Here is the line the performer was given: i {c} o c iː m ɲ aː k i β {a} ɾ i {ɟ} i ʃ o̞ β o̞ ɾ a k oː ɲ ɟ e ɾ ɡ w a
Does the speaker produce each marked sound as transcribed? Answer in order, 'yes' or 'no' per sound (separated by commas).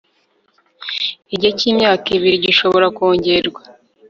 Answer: no, no, yes